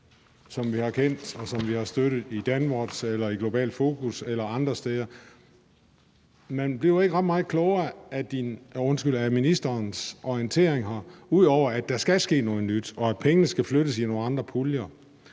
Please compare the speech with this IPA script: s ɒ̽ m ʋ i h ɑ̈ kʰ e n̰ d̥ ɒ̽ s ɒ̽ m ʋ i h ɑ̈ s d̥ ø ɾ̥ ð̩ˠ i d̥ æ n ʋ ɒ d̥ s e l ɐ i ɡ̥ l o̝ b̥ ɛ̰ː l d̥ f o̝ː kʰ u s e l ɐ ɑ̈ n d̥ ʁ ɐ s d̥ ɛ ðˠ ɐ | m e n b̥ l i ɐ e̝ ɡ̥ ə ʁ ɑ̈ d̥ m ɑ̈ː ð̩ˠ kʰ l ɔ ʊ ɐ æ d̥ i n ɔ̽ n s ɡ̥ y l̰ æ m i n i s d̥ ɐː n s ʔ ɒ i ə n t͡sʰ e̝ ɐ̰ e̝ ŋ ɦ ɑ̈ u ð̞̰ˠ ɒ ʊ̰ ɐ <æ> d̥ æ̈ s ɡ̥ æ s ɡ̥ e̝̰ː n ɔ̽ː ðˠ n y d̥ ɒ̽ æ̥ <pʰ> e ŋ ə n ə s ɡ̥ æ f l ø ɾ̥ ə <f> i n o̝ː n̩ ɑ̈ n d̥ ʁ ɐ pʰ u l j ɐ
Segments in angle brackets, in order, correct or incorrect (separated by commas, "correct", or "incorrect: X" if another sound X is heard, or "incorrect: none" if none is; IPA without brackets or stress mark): correct, correct, incorrect: s